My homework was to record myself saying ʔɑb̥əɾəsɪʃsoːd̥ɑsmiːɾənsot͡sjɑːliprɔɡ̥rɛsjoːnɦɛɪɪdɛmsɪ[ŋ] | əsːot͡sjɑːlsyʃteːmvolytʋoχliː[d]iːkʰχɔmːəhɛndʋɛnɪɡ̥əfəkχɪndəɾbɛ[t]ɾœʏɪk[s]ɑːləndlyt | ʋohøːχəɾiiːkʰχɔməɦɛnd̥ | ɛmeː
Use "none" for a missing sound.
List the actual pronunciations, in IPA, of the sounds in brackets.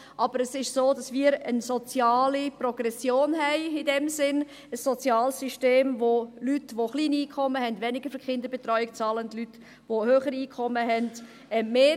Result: n, n, t, t͡s

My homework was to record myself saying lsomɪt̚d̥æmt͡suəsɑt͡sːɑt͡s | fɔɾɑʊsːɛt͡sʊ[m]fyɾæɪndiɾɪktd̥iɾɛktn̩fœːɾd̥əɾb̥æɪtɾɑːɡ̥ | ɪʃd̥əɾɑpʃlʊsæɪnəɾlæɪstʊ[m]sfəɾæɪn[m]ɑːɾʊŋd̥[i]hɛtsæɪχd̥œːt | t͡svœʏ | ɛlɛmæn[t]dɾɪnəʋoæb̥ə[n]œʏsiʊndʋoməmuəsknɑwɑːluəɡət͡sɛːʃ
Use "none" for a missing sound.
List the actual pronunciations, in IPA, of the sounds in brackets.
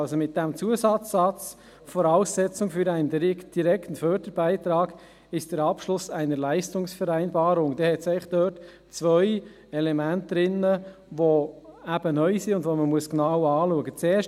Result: ŋ, ŋ, b, ɛ, t, n

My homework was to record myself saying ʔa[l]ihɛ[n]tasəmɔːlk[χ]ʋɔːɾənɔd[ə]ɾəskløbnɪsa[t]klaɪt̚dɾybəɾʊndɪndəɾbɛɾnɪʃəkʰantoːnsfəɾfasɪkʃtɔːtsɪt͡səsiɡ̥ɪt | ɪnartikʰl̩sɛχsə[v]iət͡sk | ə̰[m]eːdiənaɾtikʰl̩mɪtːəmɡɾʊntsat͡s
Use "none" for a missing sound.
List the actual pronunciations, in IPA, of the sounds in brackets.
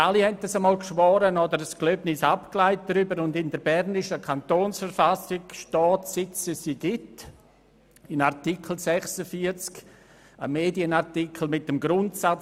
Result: l, n, ʃ, ə, p, f, m

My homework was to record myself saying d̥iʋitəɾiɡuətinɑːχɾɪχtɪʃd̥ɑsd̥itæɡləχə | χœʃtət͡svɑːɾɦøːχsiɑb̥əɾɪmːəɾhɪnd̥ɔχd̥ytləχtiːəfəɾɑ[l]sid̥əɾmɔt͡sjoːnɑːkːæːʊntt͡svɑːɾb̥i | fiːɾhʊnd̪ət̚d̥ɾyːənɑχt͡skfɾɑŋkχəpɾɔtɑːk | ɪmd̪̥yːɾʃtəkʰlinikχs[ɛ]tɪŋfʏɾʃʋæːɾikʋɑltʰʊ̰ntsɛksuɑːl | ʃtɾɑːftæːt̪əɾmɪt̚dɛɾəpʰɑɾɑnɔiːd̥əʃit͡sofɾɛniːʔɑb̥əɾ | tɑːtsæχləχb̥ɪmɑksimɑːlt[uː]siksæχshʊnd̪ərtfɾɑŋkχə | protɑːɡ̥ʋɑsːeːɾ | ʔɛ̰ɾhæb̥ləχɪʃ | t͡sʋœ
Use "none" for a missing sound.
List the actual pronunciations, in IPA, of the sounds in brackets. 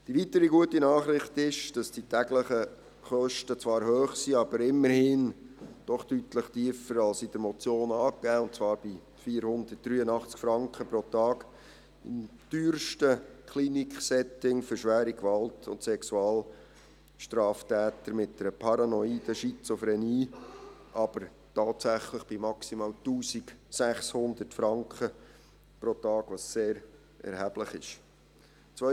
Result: l, ɛ, uː

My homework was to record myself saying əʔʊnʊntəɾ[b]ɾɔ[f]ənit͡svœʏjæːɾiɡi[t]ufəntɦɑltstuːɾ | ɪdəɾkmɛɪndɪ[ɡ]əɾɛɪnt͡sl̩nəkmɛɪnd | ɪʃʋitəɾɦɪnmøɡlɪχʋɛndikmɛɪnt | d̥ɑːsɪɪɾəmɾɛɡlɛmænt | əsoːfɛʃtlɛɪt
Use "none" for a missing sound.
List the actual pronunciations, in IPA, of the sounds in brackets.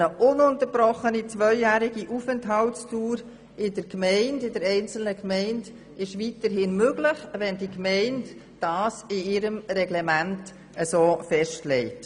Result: b, χ, ʔ, d

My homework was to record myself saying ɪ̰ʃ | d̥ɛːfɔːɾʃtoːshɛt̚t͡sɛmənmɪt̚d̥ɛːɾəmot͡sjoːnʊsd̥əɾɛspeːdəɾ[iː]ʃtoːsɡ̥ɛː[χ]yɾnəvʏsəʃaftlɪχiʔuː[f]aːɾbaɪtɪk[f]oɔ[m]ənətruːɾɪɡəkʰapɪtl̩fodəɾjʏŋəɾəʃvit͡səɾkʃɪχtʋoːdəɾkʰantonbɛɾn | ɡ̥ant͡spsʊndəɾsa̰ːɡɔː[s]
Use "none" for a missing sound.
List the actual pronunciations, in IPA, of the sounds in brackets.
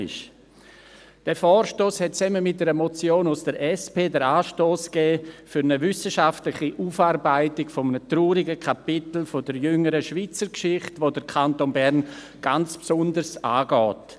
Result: aː, f, f, f, m, t

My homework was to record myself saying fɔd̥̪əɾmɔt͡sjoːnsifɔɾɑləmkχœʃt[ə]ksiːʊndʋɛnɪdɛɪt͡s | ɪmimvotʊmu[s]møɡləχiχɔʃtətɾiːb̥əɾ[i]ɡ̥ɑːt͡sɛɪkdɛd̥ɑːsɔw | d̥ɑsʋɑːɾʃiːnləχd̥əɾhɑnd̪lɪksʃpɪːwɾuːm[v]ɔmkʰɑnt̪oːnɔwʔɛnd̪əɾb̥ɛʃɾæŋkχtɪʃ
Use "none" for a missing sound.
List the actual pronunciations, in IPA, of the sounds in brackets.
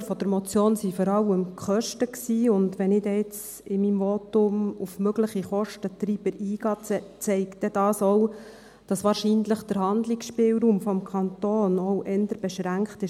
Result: ə, f, iː, f

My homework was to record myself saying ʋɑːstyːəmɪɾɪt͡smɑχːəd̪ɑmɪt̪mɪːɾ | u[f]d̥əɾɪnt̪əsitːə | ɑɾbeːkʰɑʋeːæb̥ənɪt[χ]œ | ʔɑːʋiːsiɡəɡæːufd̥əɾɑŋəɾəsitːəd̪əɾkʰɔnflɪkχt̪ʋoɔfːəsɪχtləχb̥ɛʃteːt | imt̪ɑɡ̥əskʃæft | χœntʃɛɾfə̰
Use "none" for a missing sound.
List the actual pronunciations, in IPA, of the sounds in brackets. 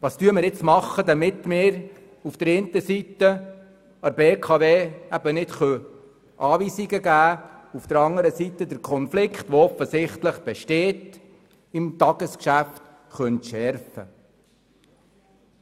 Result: f, χ

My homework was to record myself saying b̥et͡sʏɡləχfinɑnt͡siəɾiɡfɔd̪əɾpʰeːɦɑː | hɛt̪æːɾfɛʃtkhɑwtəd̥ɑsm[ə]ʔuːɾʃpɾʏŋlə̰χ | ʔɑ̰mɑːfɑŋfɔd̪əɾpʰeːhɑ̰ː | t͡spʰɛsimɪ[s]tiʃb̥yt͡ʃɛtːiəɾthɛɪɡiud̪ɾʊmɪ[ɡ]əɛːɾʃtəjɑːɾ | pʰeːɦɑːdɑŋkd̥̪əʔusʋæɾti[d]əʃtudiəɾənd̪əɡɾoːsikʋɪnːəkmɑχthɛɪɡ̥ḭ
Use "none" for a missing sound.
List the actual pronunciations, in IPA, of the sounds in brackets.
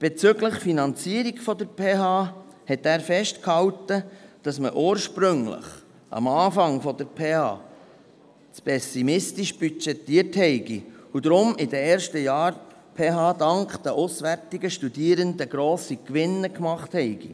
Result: ə, s, d, ɡ

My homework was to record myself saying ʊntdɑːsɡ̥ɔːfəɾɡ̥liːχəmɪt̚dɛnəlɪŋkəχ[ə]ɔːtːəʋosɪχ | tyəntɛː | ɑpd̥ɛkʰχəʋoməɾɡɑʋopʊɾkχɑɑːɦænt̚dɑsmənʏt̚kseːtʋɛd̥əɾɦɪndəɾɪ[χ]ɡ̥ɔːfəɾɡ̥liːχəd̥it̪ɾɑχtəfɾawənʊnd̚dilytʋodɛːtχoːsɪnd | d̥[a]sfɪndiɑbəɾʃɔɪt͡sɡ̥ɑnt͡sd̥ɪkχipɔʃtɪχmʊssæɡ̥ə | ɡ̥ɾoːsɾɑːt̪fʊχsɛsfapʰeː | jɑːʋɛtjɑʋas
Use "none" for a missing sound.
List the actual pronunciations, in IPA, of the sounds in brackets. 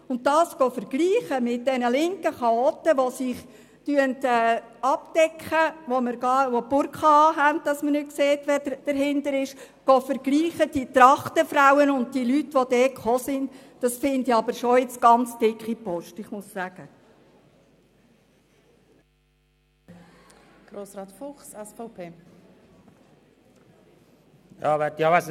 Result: ɑ, ʃ, ɑ

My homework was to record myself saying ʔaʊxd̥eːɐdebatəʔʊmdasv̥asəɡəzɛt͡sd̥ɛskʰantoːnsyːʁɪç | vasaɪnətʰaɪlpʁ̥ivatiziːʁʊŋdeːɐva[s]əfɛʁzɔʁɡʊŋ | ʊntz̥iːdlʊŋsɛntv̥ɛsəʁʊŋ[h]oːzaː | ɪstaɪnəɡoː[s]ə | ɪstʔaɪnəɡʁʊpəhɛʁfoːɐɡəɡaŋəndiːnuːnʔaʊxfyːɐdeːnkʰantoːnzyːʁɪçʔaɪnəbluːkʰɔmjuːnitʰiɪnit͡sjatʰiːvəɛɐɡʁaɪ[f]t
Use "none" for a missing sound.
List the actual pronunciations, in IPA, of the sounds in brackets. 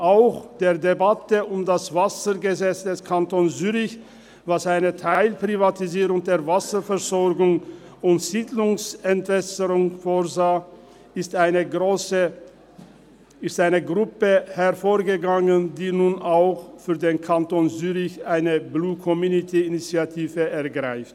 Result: s, f, s, f

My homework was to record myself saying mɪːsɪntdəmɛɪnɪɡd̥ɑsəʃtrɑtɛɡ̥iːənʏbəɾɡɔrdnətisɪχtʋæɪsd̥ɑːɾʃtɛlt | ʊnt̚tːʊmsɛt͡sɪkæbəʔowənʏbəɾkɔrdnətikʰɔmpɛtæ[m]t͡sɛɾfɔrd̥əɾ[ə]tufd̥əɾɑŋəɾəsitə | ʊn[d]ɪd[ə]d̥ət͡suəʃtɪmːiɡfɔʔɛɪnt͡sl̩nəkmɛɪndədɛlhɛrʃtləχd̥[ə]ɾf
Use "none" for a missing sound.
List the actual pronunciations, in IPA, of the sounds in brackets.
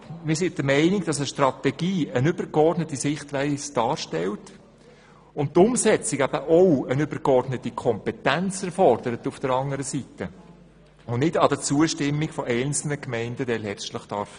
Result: n, ə, n, ɑ, ɑ

